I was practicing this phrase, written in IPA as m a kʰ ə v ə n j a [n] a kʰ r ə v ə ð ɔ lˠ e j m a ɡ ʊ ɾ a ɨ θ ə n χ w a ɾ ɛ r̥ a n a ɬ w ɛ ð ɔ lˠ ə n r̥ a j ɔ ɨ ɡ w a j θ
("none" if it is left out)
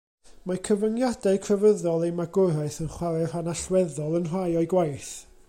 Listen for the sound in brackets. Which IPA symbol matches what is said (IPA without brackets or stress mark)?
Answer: d